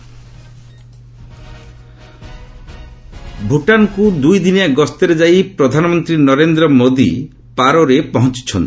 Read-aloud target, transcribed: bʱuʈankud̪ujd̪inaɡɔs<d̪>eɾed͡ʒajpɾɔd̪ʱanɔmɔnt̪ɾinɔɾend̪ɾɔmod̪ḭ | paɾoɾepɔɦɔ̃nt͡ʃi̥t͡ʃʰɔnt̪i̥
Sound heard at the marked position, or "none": t̪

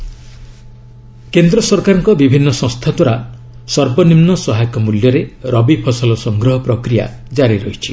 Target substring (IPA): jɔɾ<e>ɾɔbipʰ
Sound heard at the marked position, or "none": e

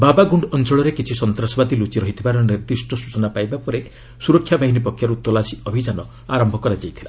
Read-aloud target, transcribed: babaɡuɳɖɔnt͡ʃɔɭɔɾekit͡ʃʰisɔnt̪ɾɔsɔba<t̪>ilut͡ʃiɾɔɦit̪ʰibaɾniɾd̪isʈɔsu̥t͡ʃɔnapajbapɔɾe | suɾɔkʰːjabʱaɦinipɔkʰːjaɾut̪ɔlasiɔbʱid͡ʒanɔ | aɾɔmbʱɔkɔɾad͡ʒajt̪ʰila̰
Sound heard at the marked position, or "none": d̪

